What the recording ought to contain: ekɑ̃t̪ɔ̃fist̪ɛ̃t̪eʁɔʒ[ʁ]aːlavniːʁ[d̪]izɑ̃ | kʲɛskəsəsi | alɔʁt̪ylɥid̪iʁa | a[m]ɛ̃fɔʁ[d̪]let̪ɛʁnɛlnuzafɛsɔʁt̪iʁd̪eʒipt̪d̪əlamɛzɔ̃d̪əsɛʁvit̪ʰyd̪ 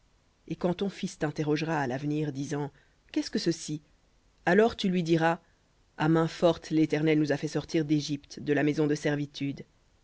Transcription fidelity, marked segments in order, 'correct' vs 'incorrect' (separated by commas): correct, correct, correct, incorrect